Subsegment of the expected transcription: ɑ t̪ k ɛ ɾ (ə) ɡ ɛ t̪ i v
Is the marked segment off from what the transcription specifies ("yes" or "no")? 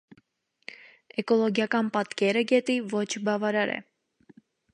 no